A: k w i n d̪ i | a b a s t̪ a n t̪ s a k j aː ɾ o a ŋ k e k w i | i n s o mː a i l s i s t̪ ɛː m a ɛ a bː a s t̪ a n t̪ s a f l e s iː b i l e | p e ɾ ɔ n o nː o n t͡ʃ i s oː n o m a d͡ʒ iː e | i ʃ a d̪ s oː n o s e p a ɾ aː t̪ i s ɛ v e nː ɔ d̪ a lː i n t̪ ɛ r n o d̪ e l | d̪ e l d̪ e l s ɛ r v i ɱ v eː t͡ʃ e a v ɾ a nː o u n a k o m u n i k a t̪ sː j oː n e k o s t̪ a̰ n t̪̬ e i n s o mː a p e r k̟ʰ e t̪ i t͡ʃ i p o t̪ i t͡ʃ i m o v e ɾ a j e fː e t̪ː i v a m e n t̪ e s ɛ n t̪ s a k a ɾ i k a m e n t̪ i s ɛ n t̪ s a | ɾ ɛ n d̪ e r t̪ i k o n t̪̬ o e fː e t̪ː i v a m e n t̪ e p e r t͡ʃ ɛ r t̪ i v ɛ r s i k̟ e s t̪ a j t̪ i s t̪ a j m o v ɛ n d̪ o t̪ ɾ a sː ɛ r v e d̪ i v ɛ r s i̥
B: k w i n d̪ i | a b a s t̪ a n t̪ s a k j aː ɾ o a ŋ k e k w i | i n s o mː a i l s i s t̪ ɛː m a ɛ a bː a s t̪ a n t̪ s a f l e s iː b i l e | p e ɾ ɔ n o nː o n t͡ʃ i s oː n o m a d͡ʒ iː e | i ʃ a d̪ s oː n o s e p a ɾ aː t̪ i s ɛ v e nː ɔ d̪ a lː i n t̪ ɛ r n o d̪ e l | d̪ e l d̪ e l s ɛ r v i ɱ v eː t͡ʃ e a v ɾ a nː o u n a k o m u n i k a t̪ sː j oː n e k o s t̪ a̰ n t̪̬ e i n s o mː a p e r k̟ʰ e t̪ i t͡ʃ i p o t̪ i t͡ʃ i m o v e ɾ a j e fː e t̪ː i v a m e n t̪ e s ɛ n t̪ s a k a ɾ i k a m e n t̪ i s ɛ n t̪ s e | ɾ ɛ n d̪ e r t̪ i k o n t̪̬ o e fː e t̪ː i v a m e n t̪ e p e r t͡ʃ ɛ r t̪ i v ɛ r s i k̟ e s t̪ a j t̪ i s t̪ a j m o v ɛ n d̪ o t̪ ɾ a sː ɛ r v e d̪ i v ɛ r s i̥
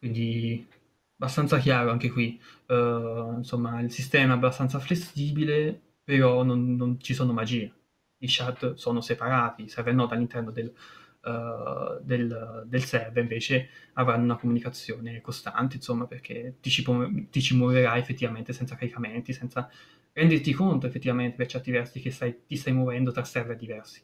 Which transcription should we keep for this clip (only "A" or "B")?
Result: A